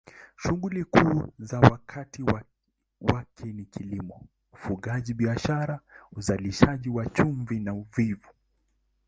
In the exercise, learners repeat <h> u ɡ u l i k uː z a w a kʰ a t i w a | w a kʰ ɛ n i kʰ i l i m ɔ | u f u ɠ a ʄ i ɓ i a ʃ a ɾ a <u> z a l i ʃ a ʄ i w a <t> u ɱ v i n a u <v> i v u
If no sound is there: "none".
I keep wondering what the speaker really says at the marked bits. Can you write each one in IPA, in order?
ʃ, u, t͡ʃ, v

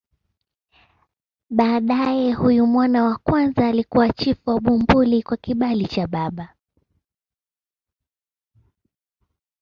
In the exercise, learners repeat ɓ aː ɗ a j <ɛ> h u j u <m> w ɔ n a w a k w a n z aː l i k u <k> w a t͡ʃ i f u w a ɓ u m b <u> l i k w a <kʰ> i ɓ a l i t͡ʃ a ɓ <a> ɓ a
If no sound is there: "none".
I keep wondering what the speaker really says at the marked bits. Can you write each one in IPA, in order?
ɛ, m, none, u, k, a

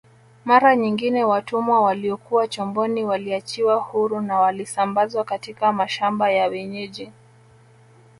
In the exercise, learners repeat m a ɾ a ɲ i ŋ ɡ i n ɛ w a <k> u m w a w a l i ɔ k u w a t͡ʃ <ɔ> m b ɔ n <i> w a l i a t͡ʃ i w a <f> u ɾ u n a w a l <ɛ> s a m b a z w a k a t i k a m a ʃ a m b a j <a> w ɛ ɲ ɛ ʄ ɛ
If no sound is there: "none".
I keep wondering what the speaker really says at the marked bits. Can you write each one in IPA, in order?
t, ɔ, i, h, i, a

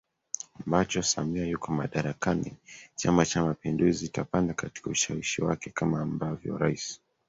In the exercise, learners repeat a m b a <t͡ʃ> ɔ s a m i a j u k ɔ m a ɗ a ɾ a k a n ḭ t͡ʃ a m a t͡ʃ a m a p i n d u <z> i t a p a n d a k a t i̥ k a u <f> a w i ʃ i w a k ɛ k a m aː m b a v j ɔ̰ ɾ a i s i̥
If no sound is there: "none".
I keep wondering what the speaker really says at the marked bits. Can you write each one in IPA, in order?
t͡ʃ, z, ʃ

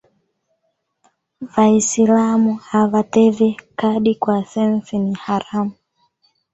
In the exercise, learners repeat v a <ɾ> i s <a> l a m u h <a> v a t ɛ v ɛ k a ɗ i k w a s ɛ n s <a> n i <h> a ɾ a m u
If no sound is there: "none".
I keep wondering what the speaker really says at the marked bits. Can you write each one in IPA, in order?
none, i, a, i, h

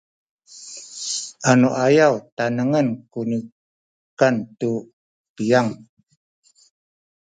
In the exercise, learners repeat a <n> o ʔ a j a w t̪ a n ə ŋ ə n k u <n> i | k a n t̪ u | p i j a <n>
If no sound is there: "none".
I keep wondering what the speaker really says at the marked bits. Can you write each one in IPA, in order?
n, n, ŋ

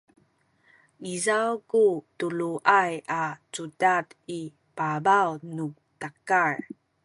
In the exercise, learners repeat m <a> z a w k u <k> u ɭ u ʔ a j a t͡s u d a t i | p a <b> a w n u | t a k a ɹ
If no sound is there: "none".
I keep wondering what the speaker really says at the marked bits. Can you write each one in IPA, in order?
i, t, b

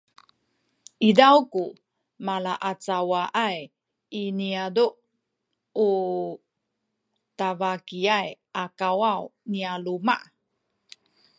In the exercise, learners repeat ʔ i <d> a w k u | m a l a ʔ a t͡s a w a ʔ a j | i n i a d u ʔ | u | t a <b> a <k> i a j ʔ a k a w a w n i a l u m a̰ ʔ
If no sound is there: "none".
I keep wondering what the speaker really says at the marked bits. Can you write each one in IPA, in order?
d, v, k

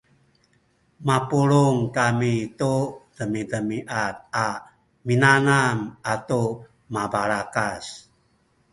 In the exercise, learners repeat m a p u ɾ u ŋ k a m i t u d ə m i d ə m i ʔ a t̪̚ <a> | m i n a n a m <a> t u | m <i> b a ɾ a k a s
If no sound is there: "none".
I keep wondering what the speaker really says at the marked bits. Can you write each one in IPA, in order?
a, a, a

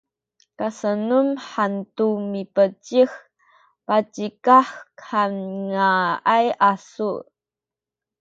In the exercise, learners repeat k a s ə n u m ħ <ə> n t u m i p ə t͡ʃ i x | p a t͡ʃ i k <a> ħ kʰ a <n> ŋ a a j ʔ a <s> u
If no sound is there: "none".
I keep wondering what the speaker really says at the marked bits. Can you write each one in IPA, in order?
a, a, n, s

